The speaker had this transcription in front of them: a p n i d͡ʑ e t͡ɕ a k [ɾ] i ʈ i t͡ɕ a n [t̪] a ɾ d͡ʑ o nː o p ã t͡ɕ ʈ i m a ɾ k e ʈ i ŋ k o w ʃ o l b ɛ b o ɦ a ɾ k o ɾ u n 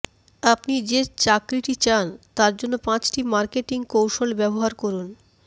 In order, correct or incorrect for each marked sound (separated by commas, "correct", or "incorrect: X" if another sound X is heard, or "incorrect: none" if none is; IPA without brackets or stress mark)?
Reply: correct, correct